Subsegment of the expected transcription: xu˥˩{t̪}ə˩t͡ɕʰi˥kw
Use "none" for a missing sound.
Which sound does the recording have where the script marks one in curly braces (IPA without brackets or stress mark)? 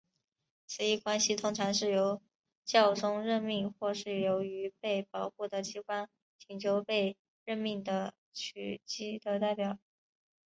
d̪